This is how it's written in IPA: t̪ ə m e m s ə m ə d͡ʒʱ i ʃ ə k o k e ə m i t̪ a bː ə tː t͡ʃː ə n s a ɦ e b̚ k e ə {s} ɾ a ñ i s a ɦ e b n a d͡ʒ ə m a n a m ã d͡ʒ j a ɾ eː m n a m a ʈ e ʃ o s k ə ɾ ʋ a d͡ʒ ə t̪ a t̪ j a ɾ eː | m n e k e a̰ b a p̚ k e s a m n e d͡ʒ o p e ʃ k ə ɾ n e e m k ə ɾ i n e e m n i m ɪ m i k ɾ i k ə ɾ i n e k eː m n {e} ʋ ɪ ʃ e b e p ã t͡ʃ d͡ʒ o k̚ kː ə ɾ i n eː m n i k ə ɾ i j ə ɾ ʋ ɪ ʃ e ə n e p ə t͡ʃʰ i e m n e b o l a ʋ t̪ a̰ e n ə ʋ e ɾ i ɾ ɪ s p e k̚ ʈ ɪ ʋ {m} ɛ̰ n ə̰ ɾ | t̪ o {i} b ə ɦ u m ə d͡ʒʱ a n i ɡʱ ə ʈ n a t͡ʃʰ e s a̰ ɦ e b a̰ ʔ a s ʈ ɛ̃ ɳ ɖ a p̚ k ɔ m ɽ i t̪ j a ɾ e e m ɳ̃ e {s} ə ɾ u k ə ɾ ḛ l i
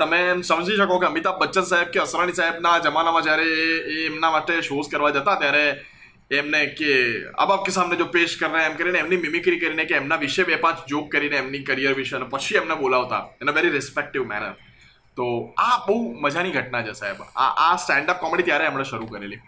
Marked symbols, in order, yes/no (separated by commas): yes, no, yes, no, no